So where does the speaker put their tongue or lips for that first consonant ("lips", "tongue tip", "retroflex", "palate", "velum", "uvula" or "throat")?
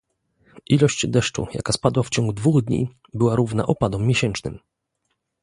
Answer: throat